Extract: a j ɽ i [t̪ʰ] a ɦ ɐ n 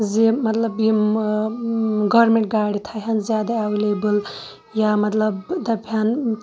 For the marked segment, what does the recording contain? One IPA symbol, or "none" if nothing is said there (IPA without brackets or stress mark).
t̪ʰ